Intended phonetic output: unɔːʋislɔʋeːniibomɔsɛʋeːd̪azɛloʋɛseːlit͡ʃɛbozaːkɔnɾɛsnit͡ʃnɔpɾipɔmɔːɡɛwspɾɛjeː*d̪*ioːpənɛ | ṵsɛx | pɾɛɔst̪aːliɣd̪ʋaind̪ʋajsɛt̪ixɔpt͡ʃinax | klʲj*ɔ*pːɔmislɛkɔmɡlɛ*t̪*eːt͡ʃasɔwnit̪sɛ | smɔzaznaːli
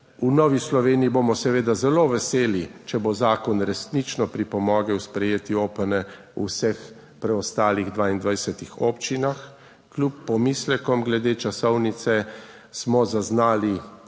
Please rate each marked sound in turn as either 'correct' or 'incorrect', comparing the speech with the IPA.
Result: incorrect, incorrect, incorrect

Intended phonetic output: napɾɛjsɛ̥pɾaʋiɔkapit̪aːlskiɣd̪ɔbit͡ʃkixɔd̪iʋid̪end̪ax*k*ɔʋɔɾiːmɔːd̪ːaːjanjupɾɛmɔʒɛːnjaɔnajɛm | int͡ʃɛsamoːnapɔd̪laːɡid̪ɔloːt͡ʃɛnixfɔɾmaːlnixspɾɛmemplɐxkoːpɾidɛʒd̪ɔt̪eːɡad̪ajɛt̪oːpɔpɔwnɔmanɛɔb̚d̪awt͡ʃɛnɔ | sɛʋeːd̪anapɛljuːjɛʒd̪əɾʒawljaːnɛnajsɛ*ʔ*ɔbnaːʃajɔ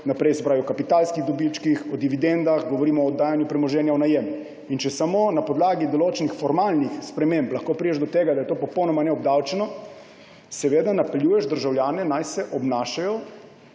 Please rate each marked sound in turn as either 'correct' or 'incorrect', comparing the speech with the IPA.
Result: incorrect, correct

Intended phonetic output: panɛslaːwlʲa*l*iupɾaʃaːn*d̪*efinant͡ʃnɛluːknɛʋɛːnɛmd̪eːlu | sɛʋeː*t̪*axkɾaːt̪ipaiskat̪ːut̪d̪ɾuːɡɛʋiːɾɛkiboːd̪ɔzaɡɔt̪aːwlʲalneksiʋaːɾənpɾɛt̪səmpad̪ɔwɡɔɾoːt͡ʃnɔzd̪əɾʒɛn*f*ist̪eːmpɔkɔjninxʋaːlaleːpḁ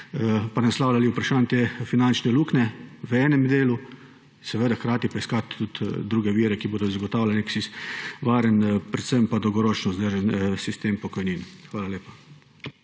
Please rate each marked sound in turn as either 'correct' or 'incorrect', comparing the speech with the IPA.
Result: correct, incorrect, incorrect, incorrect

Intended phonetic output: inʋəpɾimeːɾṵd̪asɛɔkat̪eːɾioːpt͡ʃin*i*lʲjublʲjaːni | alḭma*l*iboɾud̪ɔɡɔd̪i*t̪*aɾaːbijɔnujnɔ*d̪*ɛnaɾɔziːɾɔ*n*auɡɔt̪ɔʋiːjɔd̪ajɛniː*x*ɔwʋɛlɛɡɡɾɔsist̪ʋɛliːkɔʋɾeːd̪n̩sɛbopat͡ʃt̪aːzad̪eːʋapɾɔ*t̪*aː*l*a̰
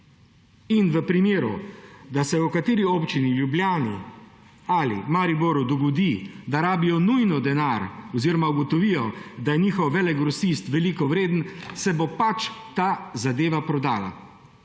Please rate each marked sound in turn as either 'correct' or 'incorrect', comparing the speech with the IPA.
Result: correct, incorrect, incorrect, correct, incorrect, correct, incorrect, correct

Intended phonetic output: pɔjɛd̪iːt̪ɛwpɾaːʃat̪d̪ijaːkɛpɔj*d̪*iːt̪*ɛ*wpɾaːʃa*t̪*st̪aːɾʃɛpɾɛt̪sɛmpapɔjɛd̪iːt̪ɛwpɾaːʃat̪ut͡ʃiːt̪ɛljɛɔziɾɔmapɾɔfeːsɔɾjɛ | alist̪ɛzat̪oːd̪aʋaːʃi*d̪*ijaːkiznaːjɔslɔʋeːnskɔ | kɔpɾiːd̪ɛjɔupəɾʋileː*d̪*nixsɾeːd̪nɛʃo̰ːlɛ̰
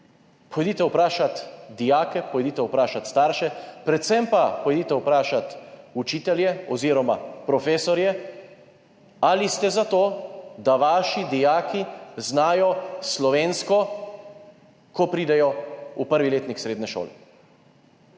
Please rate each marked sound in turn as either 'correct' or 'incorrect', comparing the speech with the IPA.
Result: correct, correct, correct, correct, incorrect

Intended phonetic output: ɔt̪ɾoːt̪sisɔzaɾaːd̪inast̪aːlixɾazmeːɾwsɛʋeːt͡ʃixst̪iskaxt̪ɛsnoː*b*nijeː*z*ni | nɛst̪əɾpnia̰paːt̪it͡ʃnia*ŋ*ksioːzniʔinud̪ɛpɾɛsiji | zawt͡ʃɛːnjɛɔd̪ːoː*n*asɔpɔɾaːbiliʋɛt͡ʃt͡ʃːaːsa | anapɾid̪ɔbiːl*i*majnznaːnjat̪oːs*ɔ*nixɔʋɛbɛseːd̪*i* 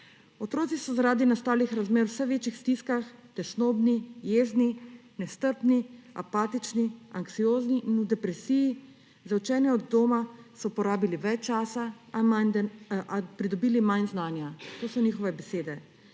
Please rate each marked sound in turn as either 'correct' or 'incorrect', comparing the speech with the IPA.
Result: correct, correct, correct, incorrect, correct, correct, incorrect

